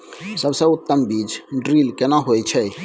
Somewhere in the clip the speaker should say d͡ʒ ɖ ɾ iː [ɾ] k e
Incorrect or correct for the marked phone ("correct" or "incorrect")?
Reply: incorrect